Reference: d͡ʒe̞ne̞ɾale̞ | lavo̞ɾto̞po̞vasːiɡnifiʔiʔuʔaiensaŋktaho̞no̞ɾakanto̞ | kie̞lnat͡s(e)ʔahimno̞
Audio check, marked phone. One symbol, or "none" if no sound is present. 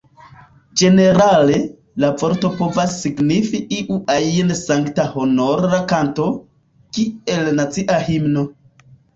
i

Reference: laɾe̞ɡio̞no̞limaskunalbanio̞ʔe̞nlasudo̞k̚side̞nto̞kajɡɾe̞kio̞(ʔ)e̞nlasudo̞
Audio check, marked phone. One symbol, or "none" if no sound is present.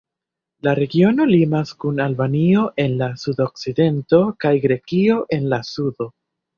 ʔ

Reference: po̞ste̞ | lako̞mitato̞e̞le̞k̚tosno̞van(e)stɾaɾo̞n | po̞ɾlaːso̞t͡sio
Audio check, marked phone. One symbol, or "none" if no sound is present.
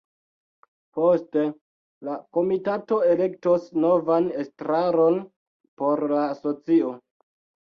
e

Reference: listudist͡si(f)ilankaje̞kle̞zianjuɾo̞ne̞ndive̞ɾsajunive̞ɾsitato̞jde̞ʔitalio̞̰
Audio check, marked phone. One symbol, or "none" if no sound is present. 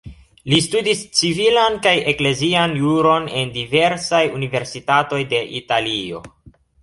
v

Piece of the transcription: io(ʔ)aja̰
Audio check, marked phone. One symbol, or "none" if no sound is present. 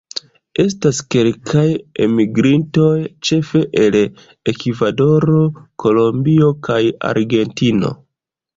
k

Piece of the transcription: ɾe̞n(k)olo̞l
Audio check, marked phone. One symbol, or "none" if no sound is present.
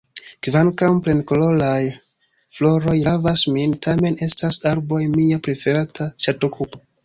k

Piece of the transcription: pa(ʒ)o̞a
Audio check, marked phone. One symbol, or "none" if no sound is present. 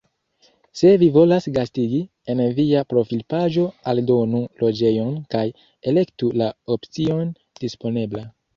ʒ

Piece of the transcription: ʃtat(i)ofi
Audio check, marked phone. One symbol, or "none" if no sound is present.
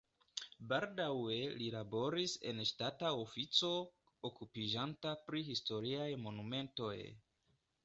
a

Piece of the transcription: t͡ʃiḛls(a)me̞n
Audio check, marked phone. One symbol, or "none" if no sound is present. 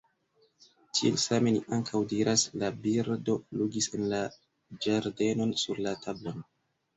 a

